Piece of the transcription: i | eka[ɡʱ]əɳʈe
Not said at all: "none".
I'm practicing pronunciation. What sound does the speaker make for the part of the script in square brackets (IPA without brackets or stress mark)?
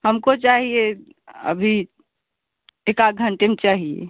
ɡʱ